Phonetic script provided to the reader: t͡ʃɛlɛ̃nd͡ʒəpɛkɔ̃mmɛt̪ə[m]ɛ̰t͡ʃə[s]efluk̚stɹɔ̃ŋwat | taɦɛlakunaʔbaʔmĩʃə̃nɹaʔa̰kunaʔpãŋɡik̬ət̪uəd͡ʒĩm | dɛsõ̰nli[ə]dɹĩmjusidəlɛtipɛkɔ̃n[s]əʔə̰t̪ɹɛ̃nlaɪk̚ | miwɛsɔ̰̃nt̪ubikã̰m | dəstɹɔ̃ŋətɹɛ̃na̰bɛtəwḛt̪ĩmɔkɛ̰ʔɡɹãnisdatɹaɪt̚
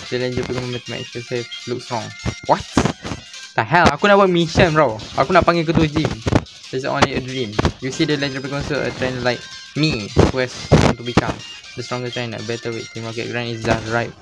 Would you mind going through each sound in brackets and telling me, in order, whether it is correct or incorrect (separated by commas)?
correct, correct, correct, correct